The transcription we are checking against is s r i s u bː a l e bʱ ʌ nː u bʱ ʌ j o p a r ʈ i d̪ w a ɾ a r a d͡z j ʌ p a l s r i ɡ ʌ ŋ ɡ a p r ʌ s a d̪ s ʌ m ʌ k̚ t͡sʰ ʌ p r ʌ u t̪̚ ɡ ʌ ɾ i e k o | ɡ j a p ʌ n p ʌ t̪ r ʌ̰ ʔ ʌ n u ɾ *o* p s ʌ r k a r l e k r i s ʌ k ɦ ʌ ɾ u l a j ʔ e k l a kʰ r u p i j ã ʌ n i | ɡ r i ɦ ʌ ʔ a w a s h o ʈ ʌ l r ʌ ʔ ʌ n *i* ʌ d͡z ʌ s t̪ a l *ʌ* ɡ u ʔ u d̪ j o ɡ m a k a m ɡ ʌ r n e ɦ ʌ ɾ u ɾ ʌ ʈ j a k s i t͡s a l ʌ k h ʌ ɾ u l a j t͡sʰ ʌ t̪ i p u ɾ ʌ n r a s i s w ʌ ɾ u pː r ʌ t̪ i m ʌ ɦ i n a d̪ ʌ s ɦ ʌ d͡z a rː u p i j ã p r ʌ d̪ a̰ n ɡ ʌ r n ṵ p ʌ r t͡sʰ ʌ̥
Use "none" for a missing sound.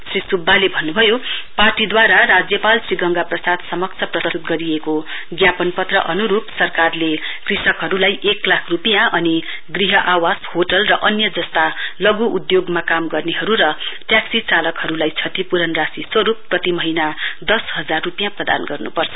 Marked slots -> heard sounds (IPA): u, j, ʌ

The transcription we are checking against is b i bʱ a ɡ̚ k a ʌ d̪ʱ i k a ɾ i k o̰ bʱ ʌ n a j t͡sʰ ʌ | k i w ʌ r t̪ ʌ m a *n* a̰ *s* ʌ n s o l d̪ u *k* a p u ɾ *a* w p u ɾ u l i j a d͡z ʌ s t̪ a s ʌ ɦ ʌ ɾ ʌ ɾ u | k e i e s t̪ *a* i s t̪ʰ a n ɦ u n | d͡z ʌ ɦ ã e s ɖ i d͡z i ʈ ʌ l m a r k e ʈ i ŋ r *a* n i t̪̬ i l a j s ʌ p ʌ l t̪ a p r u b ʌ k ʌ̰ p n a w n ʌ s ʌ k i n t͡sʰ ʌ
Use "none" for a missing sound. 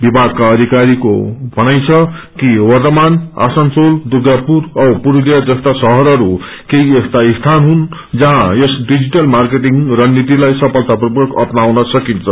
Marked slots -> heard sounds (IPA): n, s, ɡ, ʌ, a, ʌ

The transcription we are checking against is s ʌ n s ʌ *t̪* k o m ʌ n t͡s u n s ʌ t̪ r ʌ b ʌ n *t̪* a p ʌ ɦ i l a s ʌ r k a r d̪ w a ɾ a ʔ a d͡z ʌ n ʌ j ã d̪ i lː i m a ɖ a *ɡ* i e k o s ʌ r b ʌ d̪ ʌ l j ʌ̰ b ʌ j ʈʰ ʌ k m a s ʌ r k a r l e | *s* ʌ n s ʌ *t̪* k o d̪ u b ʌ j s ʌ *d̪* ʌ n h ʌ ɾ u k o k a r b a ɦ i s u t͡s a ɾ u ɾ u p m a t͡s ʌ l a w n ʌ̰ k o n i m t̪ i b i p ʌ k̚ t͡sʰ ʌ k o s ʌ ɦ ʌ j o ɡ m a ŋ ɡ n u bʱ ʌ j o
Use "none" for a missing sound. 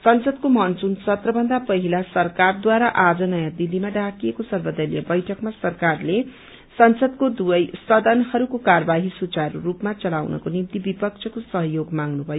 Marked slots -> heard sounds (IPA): d̪, d̪, k, s, d̪, d̪

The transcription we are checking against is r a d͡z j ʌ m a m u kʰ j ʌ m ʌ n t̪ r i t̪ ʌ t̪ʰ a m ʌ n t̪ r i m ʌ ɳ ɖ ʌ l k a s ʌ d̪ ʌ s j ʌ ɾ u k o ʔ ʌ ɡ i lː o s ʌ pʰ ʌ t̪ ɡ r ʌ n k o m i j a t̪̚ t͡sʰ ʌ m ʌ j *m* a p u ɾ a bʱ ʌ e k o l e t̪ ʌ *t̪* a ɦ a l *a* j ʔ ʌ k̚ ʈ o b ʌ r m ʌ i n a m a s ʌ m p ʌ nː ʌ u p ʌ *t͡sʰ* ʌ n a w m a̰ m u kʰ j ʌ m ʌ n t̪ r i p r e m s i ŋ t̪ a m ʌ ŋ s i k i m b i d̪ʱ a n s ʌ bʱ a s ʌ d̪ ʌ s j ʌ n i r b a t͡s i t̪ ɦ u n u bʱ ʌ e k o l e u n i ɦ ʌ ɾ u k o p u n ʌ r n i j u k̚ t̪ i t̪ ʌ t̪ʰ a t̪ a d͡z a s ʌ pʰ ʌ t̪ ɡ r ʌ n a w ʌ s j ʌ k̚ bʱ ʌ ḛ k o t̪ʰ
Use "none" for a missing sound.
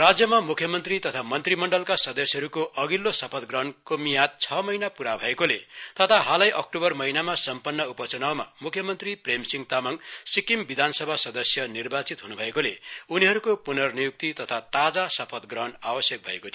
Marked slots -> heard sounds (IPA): n, t̪ʰ, ʌ, t͡s

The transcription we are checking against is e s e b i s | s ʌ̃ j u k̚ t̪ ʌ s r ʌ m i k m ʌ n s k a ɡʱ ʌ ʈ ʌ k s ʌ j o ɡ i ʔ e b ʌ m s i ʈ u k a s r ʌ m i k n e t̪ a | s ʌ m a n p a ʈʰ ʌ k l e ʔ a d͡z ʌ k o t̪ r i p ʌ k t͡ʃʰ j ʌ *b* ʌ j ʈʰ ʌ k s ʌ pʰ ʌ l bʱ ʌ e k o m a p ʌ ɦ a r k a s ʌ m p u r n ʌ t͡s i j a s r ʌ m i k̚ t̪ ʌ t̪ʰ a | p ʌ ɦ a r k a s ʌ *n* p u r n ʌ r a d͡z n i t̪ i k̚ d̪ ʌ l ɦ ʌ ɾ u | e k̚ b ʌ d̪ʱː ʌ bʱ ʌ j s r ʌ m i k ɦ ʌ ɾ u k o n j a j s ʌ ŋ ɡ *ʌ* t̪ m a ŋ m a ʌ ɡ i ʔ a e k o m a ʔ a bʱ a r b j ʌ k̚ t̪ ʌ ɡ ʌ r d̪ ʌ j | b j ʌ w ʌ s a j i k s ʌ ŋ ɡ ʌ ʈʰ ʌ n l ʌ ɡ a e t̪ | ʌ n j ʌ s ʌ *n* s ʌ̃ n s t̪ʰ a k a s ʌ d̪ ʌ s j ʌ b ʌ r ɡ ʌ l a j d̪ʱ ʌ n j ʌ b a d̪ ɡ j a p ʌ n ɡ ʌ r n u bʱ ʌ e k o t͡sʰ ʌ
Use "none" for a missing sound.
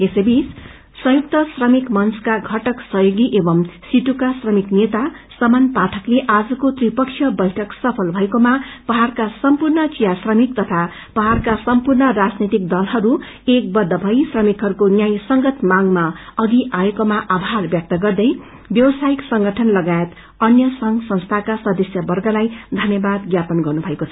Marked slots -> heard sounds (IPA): b, m, ʌ, ŋ

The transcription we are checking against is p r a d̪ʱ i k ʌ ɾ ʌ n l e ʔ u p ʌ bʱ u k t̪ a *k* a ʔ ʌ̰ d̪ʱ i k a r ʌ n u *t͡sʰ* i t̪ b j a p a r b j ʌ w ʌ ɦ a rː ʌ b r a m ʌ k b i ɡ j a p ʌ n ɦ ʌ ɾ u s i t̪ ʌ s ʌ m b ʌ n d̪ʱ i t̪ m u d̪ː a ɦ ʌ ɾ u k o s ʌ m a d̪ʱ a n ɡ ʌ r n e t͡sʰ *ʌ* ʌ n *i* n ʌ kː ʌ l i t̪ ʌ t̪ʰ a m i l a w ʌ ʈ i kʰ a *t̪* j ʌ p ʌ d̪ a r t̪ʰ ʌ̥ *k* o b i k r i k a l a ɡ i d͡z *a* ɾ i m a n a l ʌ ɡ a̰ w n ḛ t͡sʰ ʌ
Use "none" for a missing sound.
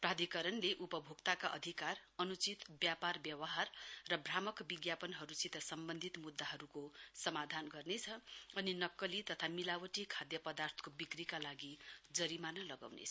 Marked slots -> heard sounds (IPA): k, t͡s, ʌ, i, d̪, k, ʌ

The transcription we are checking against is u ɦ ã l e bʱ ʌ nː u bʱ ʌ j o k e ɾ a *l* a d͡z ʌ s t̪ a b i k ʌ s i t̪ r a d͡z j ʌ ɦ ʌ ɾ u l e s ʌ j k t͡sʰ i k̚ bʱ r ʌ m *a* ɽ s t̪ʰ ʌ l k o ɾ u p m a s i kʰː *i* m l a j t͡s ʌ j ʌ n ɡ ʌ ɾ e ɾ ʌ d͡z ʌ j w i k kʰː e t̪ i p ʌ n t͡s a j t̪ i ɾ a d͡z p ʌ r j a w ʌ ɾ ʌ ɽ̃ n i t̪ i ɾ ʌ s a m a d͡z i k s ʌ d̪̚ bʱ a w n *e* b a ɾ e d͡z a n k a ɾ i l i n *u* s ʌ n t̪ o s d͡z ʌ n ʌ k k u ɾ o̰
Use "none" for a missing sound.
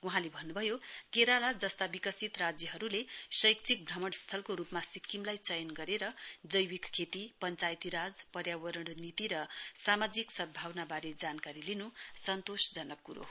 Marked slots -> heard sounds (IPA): l, ʌ, i, a, u

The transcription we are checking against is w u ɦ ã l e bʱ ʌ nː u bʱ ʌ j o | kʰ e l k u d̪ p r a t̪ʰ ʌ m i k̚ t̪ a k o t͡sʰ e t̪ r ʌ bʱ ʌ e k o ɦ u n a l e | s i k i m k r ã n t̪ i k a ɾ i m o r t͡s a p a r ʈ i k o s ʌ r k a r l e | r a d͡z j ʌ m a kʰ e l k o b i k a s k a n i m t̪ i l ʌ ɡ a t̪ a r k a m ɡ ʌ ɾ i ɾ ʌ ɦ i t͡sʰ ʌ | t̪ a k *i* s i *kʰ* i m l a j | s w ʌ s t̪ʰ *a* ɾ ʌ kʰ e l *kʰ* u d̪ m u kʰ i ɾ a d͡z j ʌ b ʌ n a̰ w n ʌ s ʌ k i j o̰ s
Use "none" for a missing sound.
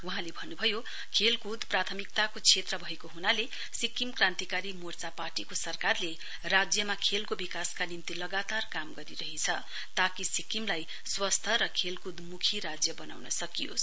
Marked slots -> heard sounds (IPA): i, k, ʌ, k

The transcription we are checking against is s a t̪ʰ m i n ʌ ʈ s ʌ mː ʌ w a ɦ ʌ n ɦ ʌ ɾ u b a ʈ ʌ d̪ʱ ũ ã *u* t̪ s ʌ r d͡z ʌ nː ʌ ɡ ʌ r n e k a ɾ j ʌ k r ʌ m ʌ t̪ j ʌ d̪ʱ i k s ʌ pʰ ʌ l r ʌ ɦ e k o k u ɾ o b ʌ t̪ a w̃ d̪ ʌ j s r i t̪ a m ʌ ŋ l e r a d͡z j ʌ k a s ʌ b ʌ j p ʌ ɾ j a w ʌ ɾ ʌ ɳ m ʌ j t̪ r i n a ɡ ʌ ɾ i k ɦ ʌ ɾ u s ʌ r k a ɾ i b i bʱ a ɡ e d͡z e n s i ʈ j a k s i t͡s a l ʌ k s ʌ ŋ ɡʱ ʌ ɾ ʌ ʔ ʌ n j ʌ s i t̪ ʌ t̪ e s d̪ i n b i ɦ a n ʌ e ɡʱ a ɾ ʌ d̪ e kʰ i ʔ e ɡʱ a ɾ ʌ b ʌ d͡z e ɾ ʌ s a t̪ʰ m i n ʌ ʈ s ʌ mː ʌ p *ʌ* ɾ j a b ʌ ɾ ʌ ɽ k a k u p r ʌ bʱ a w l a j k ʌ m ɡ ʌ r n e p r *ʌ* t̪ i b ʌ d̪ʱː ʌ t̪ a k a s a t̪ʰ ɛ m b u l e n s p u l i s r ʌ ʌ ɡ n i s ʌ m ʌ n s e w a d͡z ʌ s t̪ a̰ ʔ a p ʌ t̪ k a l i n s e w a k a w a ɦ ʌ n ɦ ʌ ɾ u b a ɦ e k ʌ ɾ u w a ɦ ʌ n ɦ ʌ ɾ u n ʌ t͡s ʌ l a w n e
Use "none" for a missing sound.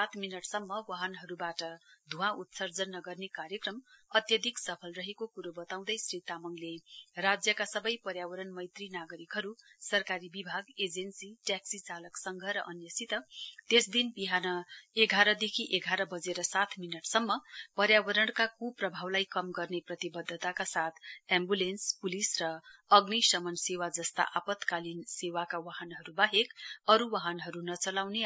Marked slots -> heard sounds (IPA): u, ʌ, ʌ

